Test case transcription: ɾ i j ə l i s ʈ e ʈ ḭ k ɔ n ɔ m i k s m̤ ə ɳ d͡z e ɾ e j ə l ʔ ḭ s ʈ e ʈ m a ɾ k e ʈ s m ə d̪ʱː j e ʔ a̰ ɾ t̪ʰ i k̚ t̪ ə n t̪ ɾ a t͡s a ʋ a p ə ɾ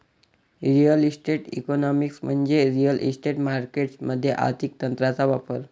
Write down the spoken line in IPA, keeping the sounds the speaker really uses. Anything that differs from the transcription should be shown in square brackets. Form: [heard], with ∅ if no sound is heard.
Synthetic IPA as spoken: ɾ i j ə l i s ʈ e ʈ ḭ k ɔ n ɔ m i k s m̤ ə ɳ d͡z e ɾ [i] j ə l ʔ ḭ s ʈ e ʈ m a ɾ k e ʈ s m ə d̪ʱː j e ʔ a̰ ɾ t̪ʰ i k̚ t̪ ə n t̪ ɾ a t͡s a ʋ a p ə ɾ